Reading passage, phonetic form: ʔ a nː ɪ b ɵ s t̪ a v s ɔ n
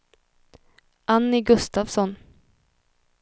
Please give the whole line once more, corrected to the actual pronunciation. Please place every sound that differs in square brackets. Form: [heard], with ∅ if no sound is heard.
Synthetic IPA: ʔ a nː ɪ [ɡ] ɵ s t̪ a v s ɔ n